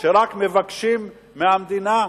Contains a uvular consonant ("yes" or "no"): no